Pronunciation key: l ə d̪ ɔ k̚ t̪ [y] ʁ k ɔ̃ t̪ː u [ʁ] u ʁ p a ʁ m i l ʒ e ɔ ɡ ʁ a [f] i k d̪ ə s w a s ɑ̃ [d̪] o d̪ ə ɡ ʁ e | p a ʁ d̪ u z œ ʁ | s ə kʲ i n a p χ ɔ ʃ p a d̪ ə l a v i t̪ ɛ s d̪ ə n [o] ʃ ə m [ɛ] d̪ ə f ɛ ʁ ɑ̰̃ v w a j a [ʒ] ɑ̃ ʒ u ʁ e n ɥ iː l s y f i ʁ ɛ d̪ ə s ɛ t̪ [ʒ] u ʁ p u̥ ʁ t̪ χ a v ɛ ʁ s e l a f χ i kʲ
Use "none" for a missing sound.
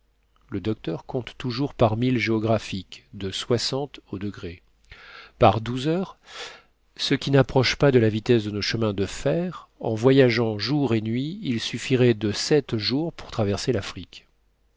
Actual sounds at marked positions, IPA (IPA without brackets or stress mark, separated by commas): œ, ʒ, f, t̪, o, ɛ̃, ʒ, ʒ